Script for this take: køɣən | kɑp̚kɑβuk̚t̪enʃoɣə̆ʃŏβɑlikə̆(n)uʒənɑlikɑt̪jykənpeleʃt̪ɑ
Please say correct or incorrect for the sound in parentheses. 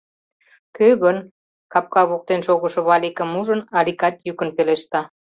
incorrect